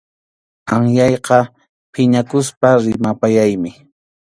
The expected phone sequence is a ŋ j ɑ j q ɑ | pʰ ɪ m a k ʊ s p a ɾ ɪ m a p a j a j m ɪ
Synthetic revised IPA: a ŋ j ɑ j q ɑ | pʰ ɪ ɲ a k ʊ s p a ɾ ɪ m a p a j a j m ɪ